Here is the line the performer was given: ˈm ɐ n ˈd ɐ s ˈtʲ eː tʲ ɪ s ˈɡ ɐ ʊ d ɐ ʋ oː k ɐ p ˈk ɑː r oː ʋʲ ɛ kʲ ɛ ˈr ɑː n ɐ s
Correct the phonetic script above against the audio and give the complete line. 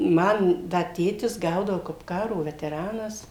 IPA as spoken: ˈm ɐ n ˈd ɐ ˈtʲ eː tʲ ɪ s ˈɡ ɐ ʊ d ɐ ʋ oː k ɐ p ˈk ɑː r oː ʋʲ ɛ tʲ ɛ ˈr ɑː n ɐ s